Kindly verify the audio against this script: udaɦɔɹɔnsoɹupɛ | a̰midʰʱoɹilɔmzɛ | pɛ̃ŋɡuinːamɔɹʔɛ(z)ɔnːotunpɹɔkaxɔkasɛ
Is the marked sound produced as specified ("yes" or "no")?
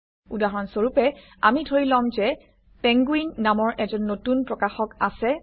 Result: yes